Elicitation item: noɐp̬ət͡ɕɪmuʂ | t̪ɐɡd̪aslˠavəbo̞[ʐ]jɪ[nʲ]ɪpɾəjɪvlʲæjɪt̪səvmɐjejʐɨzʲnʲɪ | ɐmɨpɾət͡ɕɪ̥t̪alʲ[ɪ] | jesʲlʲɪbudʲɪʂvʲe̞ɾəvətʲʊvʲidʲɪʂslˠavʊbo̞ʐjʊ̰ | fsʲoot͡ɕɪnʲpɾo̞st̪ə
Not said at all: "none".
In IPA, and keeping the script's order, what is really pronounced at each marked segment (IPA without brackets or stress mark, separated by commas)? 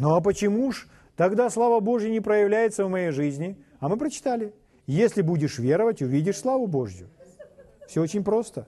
ʐ, nʲ, ɪ